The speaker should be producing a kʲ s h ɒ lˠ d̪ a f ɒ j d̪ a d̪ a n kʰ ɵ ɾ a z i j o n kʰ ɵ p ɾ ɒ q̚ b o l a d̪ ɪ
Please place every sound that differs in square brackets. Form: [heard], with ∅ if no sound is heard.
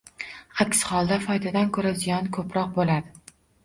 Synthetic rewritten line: a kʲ s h ɒ lˠ d̪ a f ɒ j d̪ a d̪ a n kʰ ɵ ɾ a z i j [ɒ] n kʰ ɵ p ɾ ɒ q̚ b o l a d̪ ɪ